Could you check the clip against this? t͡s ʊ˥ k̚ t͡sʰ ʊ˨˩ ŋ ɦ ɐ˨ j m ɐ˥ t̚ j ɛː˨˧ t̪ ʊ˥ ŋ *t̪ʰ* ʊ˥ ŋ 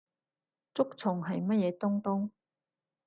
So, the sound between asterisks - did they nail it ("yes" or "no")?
no